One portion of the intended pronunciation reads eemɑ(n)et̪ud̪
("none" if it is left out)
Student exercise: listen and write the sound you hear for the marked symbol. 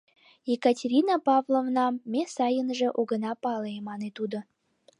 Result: n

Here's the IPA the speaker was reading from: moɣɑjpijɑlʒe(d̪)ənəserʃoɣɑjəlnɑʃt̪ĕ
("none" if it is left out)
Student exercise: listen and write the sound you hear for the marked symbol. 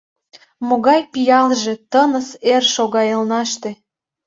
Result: t̪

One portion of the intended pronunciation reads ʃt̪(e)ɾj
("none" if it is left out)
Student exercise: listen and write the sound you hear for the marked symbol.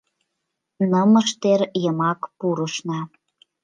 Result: e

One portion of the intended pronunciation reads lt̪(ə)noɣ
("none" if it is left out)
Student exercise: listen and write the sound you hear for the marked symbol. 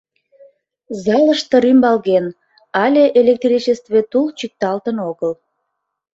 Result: ə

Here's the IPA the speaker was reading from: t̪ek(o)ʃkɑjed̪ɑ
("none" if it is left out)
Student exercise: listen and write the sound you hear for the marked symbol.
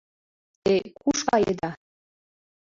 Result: u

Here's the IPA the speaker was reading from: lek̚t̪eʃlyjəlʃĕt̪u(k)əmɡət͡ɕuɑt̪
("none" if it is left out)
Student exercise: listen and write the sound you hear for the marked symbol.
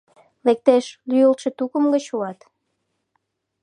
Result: k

